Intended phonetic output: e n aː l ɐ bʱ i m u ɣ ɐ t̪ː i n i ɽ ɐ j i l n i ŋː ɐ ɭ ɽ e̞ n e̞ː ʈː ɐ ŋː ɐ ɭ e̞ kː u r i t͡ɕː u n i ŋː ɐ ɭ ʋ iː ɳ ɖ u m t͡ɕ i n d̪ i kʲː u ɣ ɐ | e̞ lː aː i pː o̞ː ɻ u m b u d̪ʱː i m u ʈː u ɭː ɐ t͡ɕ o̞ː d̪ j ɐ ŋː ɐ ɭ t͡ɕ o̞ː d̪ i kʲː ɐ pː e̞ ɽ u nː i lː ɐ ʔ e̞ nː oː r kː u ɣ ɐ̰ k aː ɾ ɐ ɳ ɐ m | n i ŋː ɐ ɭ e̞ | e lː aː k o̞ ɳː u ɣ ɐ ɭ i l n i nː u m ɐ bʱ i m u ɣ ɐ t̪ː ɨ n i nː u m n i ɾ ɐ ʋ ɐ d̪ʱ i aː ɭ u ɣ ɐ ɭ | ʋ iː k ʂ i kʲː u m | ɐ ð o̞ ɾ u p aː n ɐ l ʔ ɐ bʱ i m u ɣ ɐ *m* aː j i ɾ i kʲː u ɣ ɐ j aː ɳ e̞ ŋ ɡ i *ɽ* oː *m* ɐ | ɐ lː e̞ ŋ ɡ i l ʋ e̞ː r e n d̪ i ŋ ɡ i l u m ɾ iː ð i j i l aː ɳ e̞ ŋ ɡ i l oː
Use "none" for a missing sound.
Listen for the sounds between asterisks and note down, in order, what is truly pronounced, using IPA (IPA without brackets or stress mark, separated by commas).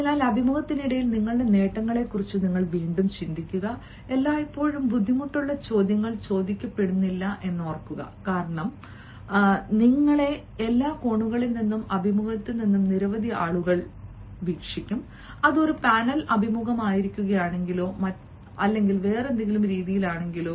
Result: m, l, m